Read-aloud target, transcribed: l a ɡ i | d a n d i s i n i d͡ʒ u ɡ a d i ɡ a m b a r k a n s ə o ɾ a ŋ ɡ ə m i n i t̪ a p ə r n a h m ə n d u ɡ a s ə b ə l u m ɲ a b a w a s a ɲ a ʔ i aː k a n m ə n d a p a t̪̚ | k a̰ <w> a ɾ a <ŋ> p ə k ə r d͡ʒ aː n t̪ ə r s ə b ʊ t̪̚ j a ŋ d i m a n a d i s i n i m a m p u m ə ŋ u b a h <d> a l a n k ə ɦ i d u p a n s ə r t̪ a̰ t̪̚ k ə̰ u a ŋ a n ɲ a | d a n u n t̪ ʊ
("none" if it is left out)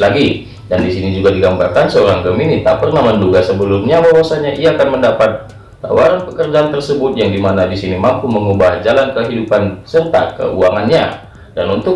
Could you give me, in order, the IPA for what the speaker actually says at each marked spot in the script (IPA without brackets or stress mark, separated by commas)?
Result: w, n, d͡ʒ